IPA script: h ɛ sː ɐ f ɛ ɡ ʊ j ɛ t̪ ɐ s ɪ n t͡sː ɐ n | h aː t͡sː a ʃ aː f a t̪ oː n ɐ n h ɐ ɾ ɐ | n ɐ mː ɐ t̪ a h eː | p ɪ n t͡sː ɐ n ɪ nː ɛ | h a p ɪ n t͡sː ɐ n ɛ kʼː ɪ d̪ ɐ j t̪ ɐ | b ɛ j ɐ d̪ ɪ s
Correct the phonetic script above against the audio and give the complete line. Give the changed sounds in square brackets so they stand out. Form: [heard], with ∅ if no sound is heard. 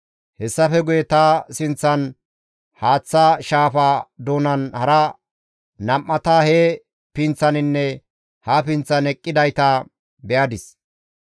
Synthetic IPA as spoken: h ɛ sː ɐ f ɛ ɡ ʊ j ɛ t̪ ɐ s ɪ n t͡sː ɐ n | h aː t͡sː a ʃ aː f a [d̪] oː n ɐ n h ɐ ɾ ɐ | n ɐ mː ɐ t̪ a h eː | p ɪ n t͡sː ɐ n ɪ nː ɛ | h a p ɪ n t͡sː ɐ n ɛ kʼː ɪ d̪ ɐ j t̪ ɐ | b ɛ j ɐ d̪ ɪ s